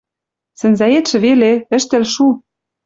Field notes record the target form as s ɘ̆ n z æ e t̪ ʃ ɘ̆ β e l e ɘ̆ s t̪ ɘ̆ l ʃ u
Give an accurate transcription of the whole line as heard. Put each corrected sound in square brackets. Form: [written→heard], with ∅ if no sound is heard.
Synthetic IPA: s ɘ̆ n z æ e t̪ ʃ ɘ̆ β e l e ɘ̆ [s→ʃ] t̪ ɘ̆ l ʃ u